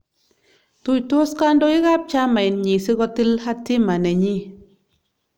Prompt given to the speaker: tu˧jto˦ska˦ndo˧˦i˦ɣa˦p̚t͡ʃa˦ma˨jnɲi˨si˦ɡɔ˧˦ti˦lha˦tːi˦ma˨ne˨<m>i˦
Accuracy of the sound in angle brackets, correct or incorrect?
incorrect